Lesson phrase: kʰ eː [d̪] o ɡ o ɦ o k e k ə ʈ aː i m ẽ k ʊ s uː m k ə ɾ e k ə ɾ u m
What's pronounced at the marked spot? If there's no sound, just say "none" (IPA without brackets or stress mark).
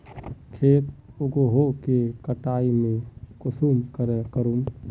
t̪